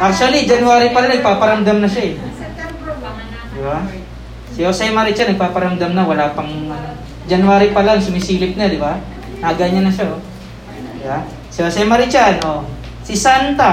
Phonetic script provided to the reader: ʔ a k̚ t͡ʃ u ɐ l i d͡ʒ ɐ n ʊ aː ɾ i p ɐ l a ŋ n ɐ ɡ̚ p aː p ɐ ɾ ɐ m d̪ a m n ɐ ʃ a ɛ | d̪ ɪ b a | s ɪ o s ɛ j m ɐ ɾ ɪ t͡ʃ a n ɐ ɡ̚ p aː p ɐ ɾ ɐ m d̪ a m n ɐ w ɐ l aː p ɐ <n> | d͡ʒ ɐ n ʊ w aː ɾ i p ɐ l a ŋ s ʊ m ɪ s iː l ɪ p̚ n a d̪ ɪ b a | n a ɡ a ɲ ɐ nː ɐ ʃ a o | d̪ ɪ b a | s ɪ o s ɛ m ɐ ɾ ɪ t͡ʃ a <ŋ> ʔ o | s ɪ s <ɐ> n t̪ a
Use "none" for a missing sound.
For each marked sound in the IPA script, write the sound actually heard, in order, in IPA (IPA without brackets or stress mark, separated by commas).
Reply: ŋ, n, a